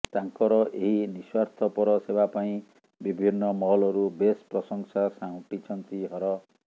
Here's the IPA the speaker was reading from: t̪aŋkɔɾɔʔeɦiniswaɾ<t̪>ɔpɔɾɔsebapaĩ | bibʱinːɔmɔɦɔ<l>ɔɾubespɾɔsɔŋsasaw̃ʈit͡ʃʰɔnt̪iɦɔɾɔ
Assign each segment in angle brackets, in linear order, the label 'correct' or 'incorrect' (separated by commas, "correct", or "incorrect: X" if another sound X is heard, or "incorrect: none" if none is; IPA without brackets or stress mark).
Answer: incorrect: t̪ʰ, correct